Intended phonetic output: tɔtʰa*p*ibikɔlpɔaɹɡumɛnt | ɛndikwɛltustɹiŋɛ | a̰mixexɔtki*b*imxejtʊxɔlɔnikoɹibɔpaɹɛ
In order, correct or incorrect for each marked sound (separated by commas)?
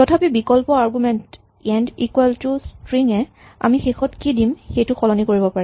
correct, incorrect